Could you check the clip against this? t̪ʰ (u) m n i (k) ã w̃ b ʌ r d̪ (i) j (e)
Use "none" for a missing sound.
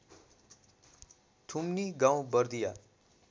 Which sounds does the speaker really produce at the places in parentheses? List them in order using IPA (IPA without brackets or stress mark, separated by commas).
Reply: u, ɡ, i, a